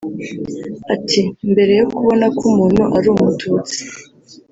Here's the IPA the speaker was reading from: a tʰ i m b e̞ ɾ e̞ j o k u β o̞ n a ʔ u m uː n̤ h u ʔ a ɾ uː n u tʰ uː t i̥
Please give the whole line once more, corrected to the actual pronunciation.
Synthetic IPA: a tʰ i m b e̞ ɾ e̞ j o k u β o̞ n a k u m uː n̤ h u ʔ a ɾ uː m u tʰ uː t͡s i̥